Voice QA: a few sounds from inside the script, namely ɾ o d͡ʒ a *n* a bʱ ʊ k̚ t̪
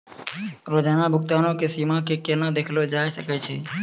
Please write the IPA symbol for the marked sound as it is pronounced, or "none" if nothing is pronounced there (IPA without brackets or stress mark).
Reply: n